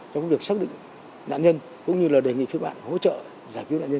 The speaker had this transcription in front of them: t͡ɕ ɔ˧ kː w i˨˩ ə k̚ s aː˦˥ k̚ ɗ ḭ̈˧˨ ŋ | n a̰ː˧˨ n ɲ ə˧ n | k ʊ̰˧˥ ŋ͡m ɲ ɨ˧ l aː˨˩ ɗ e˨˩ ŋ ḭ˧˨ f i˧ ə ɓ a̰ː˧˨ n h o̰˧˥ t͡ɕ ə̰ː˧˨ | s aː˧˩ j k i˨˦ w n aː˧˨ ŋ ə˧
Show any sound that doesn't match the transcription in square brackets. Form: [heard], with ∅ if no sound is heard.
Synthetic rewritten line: t͡ɕ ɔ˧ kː [v] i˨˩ ə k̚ s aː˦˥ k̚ ɗ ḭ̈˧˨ ŋ | n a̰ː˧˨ n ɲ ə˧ n | k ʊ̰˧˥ ŋ͡m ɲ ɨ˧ l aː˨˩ ɗ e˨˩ ŋ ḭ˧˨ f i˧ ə ɓ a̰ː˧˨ n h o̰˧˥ t͡ɕ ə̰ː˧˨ | [z] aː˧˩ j k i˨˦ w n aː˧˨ [ɲ] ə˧